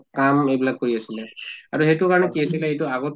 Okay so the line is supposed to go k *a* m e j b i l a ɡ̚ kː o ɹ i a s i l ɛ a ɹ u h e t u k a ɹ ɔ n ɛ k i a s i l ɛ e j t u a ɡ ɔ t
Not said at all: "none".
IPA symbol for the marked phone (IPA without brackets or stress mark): a